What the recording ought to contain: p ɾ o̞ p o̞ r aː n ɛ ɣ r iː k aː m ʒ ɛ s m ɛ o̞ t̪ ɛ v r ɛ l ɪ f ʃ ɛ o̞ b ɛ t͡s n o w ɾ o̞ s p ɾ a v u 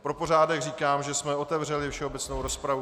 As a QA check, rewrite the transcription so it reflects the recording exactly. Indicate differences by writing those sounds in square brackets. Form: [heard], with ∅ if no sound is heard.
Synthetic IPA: p ɾ o̞ p o̞ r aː [d] ɛ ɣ r iː k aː m ʒ ɛ s m ɛ o̞ t̪ ɛ v r ɛ l ɪ f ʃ ɛ o̞ b ɛ t͡s n o w ɾ o̞ s p ɾ a v u